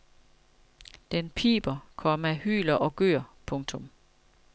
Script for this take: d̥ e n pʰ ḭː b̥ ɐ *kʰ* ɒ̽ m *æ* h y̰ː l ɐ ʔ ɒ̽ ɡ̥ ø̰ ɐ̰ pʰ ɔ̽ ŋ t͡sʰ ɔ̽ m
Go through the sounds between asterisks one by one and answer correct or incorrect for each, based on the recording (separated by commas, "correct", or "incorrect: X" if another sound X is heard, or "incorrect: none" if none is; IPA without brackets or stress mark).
correct, correct